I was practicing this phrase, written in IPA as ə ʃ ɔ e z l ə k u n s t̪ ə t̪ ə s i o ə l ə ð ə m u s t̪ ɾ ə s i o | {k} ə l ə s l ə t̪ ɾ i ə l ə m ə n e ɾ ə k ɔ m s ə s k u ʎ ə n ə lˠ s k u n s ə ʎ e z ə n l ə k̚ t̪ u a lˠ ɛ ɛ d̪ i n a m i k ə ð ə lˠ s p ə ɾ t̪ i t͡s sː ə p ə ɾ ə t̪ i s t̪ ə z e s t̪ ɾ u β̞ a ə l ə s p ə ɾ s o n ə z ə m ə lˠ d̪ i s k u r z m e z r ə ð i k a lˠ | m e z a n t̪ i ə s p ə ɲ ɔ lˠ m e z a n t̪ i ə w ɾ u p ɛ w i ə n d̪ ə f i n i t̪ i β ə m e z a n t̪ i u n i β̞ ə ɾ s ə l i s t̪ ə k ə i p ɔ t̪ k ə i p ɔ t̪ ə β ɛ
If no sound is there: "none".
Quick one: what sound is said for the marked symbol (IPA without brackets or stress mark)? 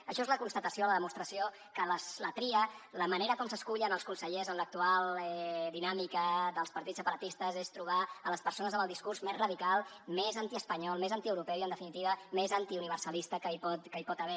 k